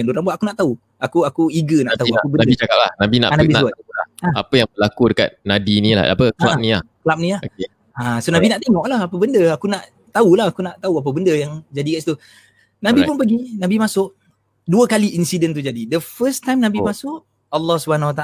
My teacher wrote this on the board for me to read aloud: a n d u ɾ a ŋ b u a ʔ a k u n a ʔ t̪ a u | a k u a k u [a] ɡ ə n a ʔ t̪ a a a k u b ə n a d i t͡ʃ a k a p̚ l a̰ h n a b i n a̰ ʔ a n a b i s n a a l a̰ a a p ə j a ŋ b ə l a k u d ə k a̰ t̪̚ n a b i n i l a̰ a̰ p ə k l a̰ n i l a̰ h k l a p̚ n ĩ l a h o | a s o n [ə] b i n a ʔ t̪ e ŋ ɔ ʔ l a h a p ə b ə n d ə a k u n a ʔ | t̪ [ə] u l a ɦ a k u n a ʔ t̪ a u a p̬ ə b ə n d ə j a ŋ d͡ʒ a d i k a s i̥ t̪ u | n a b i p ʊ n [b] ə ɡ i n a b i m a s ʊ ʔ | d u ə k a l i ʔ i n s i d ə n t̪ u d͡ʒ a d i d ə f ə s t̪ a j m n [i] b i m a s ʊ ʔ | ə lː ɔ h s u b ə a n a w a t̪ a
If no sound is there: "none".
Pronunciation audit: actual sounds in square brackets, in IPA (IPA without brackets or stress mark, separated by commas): i, a, a, p, a